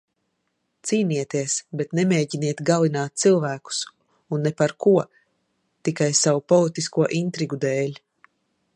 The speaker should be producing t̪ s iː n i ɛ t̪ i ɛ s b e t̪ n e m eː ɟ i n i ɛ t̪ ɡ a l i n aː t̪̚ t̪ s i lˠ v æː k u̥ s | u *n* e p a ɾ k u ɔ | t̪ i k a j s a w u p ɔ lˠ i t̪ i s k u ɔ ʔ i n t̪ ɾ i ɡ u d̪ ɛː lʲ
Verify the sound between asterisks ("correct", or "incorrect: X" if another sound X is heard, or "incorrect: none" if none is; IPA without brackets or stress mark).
incorrect: nː